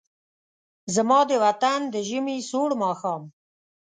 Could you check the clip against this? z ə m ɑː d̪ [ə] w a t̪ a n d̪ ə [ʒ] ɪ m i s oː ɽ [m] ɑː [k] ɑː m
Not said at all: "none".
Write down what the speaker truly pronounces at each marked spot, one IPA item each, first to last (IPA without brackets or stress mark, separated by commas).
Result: ə, ʒ, m, x